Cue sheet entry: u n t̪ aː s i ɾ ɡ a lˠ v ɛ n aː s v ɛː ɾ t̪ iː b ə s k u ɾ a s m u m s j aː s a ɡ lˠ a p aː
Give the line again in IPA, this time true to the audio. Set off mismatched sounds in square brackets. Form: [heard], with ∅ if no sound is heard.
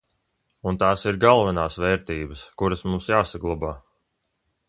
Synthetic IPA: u n t̪ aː s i ɾ ɡ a lˠ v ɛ n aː s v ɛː ɾ t̪ iː b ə s k u ɾ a s m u m s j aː s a ɡ lˠ a [b] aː